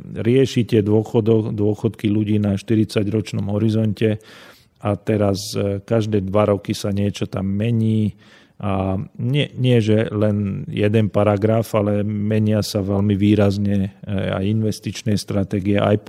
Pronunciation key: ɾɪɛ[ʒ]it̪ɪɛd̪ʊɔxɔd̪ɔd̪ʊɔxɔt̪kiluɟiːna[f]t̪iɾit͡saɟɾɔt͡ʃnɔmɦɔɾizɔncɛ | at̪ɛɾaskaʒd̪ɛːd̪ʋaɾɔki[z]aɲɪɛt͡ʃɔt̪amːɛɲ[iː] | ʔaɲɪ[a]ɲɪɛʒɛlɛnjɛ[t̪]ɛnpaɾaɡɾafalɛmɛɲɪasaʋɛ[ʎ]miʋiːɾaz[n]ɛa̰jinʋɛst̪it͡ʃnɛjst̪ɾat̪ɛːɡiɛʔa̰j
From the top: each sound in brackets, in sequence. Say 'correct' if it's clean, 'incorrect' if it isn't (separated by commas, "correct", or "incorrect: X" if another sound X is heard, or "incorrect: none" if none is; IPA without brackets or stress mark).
incorrect: ʃ, incorrect: ʃ, incorrect: s, correct, incorrect: ɛ, incorrect: d̪, incorrect: l, incorrect: ɲ